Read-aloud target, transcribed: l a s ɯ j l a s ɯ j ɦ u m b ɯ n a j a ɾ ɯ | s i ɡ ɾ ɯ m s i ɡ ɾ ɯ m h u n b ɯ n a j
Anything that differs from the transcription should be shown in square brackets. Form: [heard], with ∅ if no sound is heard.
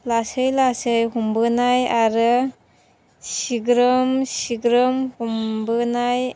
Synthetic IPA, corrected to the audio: l a s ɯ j l a s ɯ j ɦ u m b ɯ n a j a ɾ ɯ | s i ɡ ɾ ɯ m s i ɡ ɾ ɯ m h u [m] b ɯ n a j